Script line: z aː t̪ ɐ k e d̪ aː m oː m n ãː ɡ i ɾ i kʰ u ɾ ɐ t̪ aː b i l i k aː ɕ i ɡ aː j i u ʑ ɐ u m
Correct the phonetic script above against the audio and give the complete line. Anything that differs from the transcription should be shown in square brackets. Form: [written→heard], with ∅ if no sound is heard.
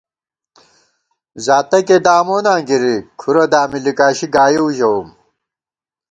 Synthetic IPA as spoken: z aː t̪ ɐ k e d̪ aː m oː [m→∅] n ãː ɡ i ɾ i kʰ u ɾ ɐ [t̪→d̪] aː [b→m] i l i k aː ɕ i ɡ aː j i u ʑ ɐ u m

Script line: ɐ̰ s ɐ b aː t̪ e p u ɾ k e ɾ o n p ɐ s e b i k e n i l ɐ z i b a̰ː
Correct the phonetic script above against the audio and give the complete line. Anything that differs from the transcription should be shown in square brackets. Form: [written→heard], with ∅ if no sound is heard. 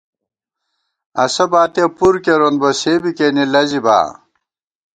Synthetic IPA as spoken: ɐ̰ s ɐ b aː t̪ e p u ɾ k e ɾ o n [p→b] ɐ s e b i k e n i l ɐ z i b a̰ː

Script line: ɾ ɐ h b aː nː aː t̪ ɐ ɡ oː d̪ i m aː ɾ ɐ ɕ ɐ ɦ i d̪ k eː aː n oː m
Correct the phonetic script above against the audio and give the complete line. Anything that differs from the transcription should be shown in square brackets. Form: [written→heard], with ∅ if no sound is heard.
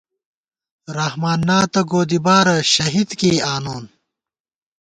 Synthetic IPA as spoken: ɾ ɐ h [b→m] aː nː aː t̪ ɐ ɡ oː d̪ i [m→b] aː ɾ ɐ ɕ ɐ ɦ i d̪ k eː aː n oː [m→n]

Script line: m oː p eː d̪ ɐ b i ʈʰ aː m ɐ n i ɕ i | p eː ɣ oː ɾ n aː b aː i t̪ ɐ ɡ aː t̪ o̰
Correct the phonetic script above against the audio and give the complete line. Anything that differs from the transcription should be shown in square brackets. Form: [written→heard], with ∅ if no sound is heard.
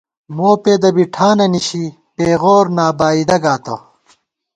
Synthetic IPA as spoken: m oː p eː d̪ ɐ b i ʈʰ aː [m→n] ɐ n i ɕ i | p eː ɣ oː ɾ n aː b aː i [t̪→d̪] ɐ ɡ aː t̪ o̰

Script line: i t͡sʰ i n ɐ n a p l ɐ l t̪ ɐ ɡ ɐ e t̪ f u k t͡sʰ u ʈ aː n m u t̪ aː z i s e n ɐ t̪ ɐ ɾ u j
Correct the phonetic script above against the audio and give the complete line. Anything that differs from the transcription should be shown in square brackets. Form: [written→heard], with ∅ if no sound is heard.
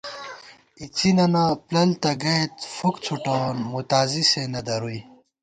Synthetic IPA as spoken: i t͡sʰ i n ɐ n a p l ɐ l t̪ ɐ ɡ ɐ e t̪ f u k t͡sʰ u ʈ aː n m u t̪ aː z i s e n ɐ [t̪→d̪] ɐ ɾ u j

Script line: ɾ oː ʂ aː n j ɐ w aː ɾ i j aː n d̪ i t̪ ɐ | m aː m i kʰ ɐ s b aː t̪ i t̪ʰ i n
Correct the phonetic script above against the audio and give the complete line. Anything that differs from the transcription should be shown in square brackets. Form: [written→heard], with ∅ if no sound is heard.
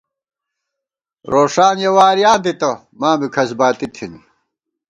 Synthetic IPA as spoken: ɾ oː ʂ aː n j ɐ w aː ɾ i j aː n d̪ i t̪ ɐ | m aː m i kʰ ɐ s b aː t̪ i t̪ʰ i n

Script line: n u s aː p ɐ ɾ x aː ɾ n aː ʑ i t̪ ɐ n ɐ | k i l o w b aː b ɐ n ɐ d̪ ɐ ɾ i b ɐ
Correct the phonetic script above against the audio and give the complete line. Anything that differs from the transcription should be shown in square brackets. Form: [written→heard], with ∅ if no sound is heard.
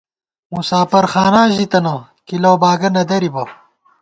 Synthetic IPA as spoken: [n→m] u s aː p ɐ ɾ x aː [ɾ→∅] n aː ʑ i t̪ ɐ n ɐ | k i l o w b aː [b→ɡ] ɐ n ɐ d̪ ɐ ɾ i b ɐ

